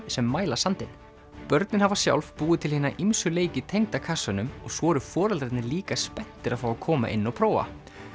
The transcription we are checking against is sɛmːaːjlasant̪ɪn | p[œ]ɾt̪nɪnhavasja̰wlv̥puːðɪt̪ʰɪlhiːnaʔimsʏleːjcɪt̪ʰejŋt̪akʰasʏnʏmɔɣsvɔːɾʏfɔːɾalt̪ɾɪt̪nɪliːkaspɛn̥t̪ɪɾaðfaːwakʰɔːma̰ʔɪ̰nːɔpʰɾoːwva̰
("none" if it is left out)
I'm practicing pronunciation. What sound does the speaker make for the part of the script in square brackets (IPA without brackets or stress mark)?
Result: œ